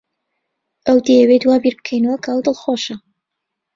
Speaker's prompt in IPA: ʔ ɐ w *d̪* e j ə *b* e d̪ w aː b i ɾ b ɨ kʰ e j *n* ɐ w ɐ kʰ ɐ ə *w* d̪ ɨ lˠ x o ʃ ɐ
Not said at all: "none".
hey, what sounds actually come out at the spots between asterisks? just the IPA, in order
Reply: d̪, w, n, w

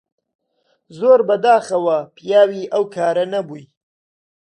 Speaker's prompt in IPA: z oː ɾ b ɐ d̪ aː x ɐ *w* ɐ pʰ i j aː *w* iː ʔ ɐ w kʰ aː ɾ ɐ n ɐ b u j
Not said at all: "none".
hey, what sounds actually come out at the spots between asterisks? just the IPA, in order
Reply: w, w

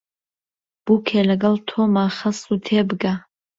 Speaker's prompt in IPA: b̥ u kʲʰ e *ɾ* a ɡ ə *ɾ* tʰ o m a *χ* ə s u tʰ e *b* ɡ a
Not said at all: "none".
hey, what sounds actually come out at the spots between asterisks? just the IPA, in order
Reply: l, l, χ, b

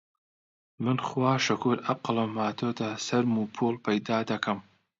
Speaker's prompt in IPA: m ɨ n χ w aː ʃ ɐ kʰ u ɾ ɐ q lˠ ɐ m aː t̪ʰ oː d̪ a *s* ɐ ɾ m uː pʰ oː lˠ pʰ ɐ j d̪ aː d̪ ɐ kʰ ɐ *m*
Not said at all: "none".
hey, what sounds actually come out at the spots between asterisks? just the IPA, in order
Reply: s, m

